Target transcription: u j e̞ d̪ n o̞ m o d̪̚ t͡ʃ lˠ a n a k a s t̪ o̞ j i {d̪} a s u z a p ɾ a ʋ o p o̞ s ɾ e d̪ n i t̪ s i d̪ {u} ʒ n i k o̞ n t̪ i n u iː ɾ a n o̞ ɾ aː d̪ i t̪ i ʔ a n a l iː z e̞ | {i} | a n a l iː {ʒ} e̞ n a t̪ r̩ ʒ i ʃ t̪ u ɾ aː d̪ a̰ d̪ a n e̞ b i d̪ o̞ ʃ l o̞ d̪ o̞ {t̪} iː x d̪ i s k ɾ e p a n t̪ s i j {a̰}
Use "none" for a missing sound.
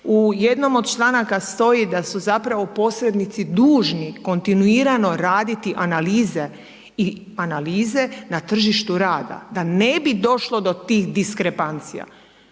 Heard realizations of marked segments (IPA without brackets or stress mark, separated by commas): d̪, uː, i, z, t̪, a̰